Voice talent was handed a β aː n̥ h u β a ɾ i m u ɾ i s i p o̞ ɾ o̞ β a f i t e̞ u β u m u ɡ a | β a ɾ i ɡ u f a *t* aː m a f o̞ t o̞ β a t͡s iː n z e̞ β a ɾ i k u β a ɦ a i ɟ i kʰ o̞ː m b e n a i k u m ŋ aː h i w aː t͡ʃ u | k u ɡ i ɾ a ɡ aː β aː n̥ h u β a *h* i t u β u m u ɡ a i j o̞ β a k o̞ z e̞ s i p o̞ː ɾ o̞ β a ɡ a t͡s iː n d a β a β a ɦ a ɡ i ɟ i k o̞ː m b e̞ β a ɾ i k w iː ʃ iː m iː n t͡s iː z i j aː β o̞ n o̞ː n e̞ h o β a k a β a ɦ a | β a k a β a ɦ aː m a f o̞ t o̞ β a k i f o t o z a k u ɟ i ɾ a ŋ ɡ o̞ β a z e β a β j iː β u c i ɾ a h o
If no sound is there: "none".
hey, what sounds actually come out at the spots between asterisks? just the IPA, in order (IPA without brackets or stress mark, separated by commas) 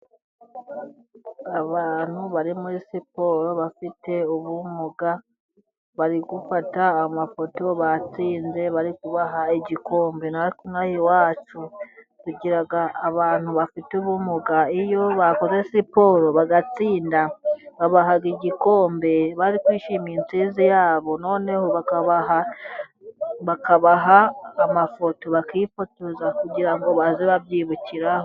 t, f